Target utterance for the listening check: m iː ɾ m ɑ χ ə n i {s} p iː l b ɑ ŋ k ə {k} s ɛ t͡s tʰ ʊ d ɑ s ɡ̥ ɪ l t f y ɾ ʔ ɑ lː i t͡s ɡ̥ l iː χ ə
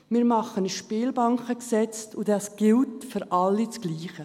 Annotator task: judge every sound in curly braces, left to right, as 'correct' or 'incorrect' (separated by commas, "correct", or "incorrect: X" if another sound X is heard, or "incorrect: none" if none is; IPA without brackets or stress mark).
incorrect: ʃ, correct